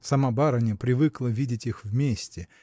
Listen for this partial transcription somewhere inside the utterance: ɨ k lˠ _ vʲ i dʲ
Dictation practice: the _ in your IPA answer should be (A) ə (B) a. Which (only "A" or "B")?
A